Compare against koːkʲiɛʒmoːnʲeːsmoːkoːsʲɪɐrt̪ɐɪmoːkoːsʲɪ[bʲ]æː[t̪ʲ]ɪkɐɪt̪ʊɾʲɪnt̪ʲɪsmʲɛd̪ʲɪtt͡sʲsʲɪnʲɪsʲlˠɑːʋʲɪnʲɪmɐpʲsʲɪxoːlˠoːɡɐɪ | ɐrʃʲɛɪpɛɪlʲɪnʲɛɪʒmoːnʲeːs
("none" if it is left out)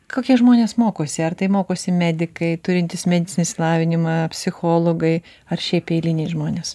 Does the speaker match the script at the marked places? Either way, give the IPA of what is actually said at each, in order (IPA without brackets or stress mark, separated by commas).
mʲ, d̪ʲ